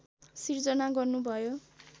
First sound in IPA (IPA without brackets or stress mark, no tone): s